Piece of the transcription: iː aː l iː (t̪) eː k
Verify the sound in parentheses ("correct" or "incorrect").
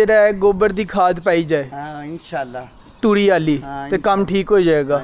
correct